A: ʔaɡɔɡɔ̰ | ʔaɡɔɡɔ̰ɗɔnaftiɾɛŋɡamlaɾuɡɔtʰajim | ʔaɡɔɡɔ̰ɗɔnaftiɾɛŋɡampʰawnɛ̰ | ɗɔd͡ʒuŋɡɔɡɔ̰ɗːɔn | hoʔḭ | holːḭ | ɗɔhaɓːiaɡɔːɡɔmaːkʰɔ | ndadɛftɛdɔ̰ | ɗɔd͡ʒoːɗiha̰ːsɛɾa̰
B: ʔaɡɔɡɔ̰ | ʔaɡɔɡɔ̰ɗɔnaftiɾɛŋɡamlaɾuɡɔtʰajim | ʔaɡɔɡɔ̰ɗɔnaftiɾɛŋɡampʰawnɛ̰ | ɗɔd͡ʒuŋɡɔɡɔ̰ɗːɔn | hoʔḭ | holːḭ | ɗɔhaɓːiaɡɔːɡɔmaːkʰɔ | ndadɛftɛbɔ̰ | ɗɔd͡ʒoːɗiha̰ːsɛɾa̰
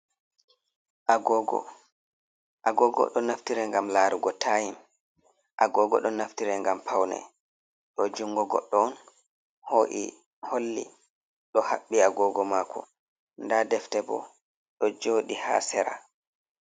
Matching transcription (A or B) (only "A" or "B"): B